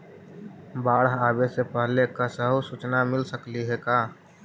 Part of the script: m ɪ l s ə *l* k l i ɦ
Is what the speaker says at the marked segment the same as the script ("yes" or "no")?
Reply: no